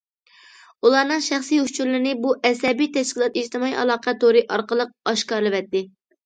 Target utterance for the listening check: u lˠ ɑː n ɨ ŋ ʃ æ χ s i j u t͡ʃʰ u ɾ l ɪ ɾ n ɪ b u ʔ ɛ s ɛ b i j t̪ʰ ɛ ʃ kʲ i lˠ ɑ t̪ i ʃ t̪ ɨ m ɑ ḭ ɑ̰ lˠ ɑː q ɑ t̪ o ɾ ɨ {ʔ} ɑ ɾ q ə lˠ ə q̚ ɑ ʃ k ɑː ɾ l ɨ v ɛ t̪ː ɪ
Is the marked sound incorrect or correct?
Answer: correct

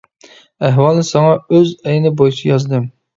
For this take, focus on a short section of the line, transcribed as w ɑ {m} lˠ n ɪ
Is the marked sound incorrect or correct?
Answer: incorrect: none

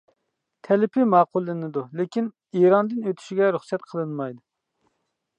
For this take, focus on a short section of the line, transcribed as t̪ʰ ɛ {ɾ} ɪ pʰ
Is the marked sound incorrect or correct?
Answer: incorrect: l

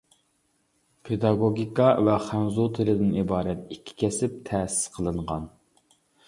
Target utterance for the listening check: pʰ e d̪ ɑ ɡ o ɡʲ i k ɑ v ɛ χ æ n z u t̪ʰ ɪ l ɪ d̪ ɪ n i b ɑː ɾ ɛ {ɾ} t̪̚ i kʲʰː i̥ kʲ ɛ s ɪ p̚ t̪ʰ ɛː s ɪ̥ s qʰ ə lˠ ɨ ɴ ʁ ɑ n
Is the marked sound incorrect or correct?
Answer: incorrect: none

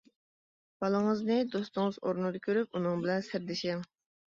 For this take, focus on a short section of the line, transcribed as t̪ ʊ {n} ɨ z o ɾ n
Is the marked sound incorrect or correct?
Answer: incorrect: ŋ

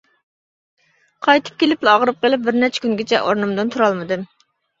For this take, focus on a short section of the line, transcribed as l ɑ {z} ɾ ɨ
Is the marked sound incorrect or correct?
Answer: incorrect: ʁ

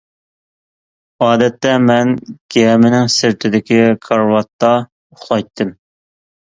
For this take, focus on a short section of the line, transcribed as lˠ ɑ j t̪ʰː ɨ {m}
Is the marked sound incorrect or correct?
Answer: correct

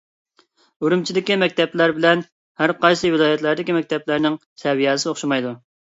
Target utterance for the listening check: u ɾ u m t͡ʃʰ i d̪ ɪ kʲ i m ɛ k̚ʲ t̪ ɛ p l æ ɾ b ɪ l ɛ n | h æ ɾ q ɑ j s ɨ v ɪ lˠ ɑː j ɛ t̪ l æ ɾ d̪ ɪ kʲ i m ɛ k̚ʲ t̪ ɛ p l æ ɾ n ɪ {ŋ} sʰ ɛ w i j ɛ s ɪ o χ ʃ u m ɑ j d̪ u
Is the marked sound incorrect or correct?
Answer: correct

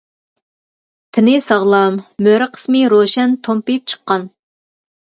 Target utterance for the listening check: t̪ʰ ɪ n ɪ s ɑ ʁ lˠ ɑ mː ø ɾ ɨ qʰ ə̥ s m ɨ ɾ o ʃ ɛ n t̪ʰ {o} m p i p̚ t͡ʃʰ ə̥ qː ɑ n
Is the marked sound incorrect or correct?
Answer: correct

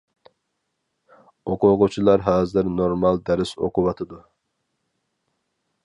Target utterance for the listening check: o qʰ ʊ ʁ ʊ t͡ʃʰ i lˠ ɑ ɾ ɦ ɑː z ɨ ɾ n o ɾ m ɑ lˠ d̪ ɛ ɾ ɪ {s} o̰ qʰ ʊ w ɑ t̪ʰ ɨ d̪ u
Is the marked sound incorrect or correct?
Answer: correct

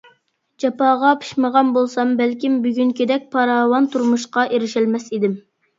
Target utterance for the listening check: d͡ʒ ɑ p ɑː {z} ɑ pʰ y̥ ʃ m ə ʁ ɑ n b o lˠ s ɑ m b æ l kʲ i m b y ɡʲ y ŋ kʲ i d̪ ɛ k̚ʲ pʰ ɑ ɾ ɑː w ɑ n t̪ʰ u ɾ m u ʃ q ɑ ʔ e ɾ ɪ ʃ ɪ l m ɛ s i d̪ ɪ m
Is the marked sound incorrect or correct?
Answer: incorrect: ʁ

